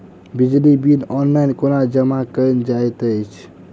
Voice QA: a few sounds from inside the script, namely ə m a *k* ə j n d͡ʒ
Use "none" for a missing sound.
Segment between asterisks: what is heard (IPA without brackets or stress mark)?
k